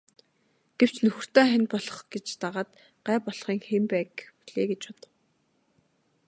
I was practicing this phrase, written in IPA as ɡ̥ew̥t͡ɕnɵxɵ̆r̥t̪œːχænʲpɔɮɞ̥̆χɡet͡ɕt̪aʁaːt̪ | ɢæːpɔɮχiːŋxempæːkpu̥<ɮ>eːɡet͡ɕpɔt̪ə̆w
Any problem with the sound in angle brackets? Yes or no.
no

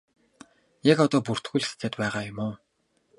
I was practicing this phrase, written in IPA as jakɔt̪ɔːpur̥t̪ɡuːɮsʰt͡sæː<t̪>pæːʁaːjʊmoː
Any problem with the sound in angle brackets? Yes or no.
no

